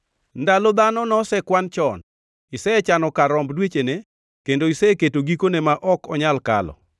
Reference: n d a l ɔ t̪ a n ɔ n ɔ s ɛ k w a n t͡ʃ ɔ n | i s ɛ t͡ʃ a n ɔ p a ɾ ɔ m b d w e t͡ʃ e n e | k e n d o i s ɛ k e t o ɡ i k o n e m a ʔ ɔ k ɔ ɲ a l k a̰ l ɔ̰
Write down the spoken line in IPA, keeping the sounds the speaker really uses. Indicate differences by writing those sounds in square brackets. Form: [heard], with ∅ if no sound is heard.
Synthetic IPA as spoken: n d a l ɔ [d̪] a n ɔ n ɔ s ɛ k w a n t͡ʃ ɔ n | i s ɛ t͡ʃ a n ɔ [k] a ɾ ɔ m b d w e t͡ʃ e n e | k e n d o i s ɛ k e t o ɡ i k o n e m a ʔ ɔ k ɔ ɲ a l k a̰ l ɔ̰